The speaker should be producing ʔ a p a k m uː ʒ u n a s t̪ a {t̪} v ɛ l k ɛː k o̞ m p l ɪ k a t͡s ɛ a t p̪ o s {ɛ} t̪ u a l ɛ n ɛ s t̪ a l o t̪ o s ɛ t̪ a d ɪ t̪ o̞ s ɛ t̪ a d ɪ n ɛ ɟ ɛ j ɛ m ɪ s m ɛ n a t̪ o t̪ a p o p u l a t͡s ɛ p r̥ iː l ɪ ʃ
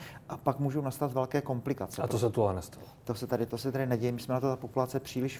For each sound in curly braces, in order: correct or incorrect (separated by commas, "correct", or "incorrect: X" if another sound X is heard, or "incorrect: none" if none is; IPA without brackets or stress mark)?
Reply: correct, correct